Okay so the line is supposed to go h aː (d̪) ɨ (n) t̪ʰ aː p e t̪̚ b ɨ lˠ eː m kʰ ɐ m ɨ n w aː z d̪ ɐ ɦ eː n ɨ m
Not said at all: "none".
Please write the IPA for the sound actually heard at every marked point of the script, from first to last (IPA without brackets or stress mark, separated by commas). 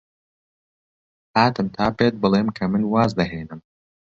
t̪, m